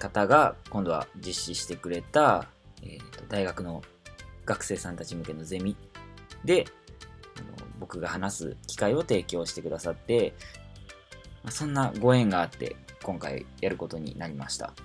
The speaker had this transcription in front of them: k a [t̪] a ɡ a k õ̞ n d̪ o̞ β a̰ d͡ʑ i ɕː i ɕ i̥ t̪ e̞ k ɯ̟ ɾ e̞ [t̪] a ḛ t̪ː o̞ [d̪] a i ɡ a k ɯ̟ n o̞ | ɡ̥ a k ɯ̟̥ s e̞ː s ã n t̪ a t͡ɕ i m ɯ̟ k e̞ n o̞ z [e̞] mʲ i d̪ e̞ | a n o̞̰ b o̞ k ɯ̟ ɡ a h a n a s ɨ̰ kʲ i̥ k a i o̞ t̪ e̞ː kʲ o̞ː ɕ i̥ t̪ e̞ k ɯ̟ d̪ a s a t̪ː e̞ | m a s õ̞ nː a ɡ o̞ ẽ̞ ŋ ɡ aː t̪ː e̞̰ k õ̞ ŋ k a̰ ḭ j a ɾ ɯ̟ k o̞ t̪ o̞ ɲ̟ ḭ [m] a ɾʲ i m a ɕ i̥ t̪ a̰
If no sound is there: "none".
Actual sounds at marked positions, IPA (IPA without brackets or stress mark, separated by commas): t̪, t̪, d̪, e̞, n